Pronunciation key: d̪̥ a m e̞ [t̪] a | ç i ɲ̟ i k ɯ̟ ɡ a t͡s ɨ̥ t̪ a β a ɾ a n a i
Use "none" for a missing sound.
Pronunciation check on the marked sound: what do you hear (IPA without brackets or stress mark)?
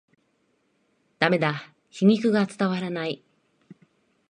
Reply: d̪